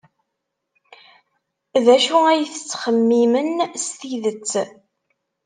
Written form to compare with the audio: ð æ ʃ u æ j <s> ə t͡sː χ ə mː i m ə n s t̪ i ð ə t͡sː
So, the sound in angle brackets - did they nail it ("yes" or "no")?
no